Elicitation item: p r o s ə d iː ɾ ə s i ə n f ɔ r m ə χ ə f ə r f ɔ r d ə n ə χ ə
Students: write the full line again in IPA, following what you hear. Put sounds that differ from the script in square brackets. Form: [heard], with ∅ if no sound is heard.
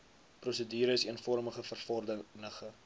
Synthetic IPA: p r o s ə d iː ɾ ə s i ə n f ɔ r m ə χ ə f ə r f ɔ r d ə n ə χ ə